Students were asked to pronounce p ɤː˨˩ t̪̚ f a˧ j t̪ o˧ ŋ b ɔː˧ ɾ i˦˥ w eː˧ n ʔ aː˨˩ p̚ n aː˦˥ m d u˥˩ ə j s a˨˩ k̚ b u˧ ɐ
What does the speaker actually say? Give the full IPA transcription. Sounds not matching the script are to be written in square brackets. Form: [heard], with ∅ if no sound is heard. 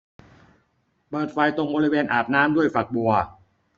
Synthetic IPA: p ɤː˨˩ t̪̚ f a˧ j t̪ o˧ ŋ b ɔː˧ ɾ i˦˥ w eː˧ n ʔ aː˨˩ p̚ n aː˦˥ m d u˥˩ ə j [f] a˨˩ k̚ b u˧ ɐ

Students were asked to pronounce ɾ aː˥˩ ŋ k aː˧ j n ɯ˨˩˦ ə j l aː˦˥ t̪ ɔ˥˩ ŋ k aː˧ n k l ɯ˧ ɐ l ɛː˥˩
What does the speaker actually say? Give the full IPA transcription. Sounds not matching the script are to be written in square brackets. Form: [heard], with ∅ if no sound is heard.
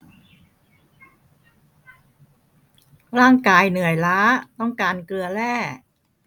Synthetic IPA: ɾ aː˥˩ ŋ k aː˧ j n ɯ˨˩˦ ə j l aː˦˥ t̪ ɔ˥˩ ŋ k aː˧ n k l ɯ˧ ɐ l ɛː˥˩

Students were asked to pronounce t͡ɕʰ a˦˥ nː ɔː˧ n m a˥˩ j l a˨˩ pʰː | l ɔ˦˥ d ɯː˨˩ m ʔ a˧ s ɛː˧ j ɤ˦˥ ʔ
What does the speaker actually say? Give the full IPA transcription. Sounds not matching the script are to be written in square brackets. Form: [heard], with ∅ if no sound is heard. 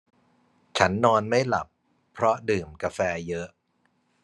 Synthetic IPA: t͡ɕʰ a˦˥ nː ɔː˧ n m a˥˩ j l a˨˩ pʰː | [ɾ] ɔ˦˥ d ɯː˨˩ m [k] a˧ [f] ɛː˧ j ɤ˦˥ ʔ

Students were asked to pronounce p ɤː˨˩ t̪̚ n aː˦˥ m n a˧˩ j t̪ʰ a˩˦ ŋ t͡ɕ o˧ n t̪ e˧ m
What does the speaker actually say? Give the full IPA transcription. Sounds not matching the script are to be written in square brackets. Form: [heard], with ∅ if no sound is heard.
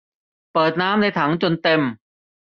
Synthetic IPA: p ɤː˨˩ t̪̚ n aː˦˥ m n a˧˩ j t̪ʰ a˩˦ ŋ t͡ɕ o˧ n t̪ e˧ m

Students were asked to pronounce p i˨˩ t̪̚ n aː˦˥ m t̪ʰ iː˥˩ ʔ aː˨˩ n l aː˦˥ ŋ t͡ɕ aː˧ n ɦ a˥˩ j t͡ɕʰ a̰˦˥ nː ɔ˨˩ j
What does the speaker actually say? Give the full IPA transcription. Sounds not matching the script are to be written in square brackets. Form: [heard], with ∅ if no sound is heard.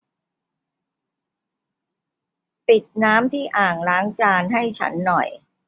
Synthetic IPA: p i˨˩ t̪̚ n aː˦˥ m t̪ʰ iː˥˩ ʔ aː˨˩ [ŋ] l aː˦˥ ŋ t͡ɕ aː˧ n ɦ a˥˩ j t͡ɕʰ a̰˦˥ nː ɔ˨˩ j

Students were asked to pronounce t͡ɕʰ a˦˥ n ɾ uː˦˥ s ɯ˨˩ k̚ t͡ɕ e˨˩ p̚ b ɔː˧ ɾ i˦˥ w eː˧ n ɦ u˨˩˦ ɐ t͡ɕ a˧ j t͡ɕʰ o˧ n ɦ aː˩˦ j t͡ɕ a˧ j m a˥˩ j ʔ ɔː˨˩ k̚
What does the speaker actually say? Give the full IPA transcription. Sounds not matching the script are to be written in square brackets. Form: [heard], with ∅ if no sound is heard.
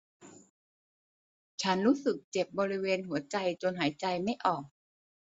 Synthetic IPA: t͡ɕʰ a˦˥ n ɾ uː˦˥ s ɯ˨˩ k̚ t͡ɕ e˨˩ p̚ b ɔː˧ ɾ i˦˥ w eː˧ n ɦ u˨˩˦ ɐ t͡ɕ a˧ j [t͡ɕ] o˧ n ɦ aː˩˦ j t͡ɕ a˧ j m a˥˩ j ʔ ɔː˨˩ k̚

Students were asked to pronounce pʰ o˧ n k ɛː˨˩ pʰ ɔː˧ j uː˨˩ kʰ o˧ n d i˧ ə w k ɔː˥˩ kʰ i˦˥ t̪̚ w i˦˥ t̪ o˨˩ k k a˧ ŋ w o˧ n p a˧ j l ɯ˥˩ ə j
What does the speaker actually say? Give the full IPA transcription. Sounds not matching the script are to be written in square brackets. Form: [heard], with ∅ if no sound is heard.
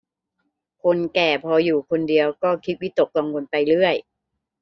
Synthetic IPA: [kʰ] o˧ n k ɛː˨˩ pʰ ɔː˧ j uː˨˩ kʰ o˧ n d i˧ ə w k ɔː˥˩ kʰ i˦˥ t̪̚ w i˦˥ t̪ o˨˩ k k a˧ ŋ w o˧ n p a˧ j l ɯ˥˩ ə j

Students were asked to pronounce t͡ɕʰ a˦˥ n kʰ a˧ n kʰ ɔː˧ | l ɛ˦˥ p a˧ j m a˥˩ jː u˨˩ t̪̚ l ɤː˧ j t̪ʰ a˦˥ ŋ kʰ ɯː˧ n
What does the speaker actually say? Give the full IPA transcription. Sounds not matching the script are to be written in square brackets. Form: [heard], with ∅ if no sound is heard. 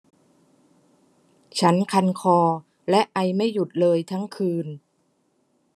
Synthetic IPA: t͡ɕʰ a˦˥ n kʰ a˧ n kʰ ɔː˧ | l ɛ˦˥ [ʔ] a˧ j m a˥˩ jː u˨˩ t̪̚ l ɤː˧ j t̪ʰ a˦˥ ŋ kʰ ɯː˧ n

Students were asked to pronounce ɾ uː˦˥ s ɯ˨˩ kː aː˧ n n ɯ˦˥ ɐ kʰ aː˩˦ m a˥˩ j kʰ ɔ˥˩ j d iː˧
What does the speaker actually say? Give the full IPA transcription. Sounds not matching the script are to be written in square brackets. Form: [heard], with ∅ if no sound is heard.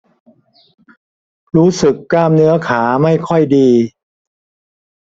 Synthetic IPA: ɾ uː˦˥ s ɯ˨˩ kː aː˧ [m] n ɯ˦˥ ɐ kʰ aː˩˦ m a˥˩ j kʰ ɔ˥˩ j d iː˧

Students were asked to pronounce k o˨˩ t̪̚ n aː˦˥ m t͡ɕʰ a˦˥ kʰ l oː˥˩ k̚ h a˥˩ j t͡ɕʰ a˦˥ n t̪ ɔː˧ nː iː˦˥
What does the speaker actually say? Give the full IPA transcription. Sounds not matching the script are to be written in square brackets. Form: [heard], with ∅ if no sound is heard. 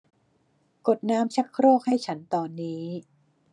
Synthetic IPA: k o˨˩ t̪̚ n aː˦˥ m t͡ɕʰ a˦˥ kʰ [ɾ] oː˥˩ k̚ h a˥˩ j t͡ɕʰ a˦˥ n t̪ ɔː˧ nː iː˦˥

